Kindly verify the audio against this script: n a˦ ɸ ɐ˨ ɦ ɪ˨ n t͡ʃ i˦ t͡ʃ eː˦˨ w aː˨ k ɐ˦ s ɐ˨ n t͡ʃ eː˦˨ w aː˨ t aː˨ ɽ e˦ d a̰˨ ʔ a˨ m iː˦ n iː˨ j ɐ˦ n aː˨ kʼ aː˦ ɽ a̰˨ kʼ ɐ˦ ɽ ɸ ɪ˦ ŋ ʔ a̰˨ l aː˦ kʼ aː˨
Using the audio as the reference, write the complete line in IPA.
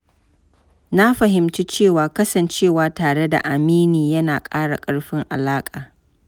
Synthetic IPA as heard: n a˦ ɸ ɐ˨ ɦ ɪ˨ m t͡ʃ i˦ t͡ʃ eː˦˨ w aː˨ k ɐ˦ s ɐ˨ n t͡ʃ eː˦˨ w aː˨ t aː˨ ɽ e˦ d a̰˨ ʔ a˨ m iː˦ n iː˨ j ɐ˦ n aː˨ kʼ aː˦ ɽ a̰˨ kʼ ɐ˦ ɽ ɸ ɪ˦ ŋ ʔ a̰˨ l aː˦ kʼ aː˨